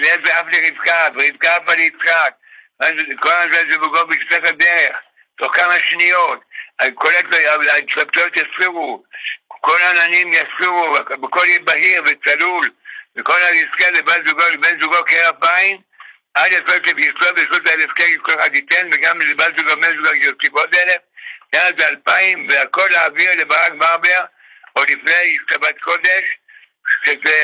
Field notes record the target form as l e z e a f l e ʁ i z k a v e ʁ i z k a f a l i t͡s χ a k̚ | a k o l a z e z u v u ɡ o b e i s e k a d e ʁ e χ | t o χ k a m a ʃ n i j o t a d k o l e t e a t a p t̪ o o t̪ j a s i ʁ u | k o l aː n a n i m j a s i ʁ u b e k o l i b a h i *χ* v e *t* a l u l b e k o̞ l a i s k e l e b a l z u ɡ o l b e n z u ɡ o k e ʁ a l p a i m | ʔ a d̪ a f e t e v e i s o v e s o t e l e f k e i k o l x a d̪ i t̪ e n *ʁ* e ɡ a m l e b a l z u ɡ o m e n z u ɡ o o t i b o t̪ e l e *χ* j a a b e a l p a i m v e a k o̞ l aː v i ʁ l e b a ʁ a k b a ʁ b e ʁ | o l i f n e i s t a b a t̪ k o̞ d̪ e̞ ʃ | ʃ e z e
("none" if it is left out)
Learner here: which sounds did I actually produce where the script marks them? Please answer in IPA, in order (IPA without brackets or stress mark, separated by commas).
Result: ʁ, t͡s, v, f